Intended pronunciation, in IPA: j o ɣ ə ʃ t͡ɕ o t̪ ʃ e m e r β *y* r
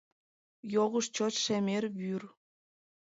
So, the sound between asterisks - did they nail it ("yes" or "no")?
yes